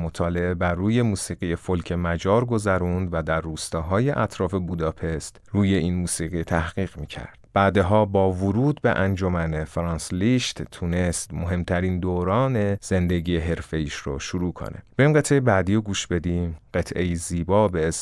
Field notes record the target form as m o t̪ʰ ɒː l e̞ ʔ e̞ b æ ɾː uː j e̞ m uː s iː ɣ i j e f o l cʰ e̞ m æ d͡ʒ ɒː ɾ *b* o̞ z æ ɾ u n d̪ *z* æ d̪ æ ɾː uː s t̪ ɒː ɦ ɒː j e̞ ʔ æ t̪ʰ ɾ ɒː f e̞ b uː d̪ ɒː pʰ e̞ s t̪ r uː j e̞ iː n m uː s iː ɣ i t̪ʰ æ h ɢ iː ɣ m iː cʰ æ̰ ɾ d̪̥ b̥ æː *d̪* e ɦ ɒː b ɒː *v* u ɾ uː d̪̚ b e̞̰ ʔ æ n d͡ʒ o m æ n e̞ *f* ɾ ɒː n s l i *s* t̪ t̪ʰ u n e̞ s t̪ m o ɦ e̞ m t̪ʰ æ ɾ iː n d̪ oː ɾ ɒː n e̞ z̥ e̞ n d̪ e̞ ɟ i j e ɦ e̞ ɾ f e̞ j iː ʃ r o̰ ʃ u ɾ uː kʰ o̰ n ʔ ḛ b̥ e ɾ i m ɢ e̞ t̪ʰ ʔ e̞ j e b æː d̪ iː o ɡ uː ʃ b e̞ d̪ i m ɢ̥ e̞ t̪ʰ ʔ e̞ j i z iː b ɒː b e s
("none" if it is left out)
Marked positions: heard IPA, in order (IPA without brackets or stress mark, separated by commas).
ɡ, v, d̪, v, f, ʃ